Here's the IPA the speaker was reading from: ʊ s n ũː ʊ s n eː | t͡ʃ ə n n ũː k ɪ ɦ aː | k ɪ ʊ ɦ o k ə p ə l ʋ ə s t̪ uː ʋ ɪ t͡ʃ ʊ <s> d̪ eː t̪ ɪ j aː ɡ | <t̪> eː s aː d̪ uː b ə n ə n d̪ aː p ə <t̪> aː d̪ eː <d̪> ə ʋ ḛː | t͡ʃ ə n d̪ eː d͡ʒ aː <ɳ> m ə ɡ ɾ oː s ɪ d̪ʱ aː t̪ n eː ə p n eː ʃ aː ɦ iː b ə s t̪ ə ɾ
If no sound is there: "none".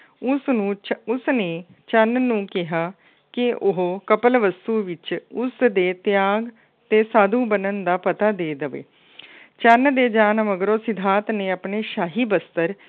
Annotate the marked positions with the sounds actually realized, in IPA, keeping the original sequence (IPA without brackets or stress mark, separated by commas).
s, t̪, t̪, d̪, n